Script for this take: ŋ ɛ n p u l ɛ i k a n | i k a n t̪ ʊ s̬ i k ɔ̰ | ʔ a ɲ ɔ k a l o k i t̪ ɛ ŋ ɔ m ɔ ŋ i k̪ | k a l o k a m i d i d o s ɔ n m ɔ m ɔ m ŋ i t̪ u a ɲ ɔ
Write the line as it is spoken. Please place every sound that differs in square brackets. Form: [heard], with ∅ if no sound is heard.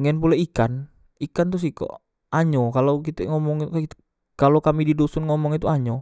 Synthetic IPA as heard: ŋ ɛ n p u l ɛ i k a n | i k a n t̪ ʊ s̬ i k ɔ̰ | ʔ a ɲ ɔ k a l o k i t̪ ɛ ŋ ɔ m ɔ ŋ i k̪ | k a l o k a m i d i d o s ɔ n [ŋ] ɔ m ɔ [∅] ŋ i t̪ u a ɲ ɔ

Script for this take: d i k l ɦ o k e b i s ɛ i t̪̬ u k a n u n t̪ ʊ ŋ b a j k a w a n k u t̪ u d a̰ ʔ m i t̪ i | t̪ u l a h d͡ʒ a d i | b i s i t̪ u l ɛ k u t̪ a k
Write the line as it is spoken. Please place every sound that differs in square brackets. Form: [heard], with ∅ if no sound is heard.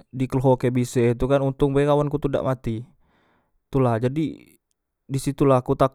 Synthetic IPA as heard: d i k l ɦ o k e b i s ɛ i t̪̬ u k a n u n t̪ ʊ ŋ b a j k a w a n k u t̪ u d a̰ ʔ m [a] t̪ i | t̪ u l a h d͡ʒ a d i | [d] i s i t̪ u l [a] k u t̪ a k

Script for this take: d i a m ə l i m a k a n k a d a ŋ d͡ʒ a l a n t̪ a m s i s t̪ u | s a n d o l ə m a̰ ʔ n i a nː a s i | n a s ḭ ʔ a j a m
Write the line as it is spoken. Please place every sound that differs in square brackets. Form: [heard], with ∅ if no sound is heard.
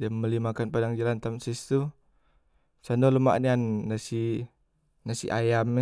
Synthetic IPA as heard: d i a m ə l i m a k a n [p] a d a ŋ d͡ʒ a l a n t̪ a m s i s t̪ u | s a n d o l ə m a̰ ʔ n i a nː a s i | n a s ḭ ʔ a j a m

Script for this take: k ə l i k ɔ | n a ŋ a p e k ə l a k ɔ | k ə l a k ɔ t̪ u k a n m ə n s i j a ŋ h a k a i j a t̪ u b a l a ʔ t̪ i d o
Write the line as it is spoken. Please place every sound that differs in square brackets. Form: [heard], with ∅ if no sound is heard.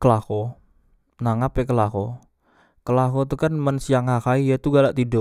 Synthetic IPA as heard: k ə l [a] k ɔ | n a ŋ a p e k ə l a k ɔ | k ə l a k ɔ t̪ u k a n m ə n s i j a ŋ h a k a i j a t̪ u [ɡ] a l a ʔ t̪ i d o

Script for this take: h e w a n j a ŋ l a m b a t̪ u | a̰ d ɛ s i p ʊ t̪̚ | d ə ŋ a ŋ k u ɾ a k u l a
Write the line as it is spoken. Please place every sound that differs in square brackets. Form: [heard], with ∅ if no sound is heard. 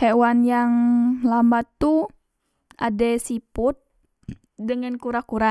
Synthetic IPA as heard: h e w a n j a ŋ l a m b a t̪ u | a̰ d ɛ s i p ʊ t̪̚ | d ə ŋ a [n] k u ɾ a k u [ɾ] a

